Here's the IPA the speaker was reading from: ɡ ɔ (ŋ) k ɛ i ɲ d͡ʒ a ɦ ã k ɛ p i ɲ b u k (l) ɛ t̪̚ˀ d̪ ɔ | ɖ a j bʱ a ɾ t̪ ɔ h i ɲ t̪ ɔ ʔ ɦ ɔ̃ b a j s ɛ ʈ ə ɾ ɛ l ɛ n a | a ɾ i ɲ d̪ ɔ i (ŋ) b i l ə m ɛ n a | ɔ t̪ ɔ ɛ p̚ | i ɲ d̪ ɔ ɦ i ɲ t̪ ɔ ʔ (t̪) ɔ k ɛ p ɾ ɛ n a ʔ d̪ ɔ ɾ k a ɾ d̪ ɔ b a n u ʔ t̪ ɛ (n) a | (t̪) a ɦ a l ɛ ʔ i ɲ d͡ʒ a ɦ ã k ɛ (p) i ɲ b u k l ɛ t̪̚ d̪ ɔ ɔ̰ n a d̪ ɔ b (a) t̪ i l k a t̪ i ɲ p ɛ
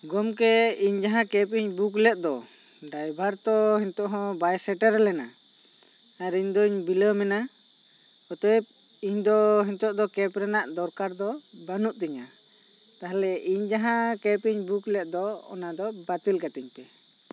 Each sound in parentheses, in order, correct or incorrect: incorrect, correct, incorrect, incorrect, incorrect, correct, correct, correct

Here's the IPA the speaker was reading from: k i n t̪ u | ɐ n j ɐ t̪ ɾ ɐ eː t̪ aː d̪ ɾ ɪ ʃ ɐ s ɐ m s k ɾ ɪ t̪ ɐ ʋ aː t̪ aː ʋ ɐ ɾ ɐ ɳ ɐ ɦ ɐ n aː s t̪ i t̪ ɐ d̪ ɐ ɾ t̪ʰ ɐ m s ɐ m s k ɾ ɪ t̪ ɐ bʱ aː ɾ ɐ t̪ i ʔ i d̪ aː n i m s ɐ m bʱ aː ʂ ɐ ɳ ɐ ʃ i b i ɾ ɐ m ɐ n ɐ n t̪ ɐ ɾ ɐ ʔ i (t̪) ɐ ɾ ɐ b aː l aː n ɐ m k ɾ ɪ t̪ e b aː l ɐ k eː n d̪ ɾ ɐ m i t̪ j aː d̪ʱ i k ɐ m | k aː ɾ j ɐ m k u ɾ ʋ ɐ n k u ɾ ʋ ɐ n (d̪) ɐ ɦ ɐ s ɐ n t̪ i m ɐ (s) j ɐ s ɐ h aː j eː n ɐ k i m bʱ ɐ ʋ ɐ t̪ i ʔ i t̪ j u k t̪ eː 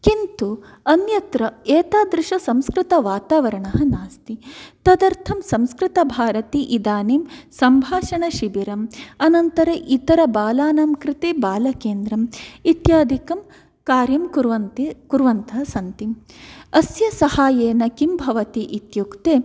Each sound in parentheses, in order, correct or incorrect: correct, incorrect, correct

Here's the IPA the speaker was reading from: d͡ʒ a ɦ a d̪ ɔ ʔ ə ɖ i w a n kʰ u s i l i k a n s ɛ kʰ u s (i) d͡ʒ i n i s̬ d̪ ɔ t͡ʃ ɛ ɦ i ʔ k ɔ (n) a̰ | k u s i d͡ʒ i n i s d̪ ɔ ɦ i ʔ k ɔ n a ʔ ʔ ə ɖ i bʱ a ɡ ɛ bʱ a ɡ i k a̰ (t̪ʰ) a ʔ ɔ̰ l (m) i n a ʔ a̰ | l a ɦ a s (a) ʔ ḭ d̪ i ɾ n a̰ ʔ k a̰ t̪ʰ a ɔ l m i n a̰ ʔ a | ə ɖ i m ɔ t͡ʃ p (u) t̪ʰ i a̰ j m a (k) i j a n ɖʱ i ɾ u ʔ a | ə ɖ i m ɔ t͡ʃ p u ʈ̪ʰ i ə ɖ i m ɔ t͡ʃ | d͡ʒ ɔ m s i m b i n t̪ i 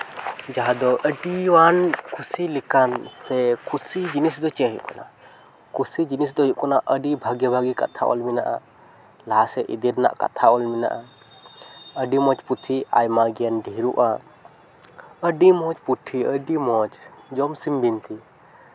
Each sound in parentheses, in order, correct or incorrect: correct, correct, correct, correct, incorrect, correct, incorrect

